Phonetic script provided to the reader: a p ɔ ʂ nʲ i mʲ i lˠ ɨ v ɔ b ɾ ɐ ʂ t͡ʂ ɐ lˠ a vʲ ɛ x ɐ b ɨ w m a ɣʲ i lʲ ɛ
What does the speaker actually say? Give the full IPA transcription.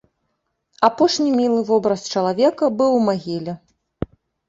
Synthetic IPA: a p ɔ ʂ nʲ i mʲ i lˠ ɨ v ɔ b ɾ ɐ s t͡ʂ ɐ lˠ a vʲ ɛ k ɐ b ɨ w m a ɣʲ i lʲ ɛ